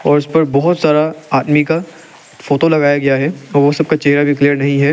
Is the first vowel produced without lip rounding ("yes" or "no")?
no